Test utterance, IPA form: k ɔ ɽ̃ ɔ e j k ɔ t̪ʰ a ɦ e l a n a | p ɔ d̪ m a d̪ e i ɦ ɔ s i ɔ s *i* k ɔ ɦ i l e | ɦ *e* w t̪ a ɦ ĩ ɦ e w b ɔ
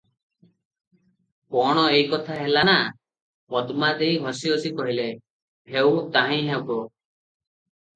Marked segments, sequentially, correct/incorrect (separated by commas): correct, correct